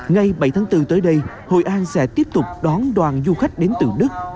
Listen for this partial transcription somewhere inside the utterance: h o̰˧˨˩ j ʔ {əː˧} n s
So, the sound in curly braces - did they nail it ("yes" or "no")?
no